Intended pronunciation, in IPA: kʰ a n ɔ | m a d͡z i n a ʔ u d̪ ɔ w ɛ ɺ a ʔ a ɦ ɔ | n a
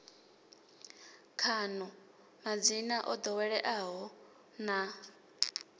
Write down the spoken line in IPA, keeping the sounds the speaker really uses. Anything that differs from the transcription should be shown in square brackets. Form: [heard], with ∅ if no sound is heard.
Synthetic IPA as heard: kʰ a n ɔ | m a d͡z i n a ʔ [ɔ] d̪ ɔ w ɛ ɺ [ɛ] ʔ a ɦ ɔ | n a